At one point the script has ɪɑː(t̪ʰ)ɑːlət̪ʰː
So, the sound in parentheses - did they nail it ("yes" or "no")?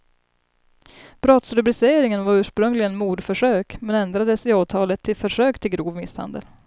yes